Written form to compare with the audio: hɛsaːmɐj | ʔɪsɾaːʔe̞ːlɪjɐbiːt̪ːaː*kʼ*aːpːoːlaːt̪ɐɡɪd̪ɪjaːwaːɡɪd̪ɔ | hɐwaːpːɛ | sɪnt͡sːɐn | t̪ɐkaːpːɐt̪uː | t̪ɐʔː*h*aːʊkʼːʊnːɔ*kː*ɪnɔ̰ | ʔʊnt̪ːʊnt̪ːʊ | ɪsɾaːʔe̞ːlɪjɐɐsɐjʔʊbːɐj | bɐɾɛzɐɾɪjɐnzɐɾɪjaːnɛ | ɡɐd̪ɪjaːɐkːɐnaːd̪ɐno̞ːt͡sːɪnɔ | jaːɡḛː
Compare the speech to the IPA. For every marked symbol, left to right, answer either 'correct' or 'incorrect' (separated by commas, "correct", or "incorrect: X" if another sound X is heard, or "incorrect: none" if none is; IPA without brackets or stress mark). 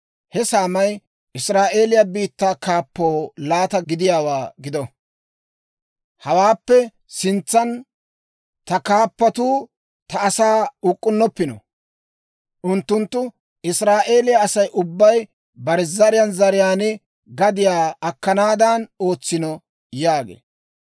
incorrect: k, incorrect: s, incorrect: pː